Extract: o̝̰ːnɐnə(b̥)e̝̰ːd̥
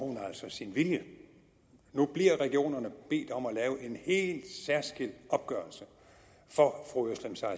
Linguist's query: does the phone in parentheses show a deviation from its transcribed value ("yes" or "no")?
no